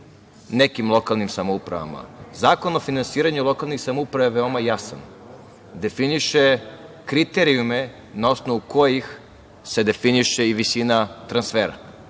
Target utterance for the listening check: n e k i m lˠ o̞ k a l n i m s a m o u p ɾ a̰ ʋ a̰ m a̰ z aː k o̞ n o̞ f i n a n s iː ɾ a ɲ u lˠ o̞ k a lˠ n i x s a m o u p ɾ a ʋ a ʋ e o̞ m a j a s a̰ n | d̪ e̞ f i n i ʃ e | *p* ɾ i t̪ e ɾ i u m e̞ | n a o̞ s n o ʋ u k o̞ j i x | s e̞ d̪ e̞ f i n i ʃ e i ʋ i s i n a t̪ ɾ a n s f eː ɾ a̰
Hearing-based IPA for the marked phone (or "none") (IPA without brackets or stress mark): k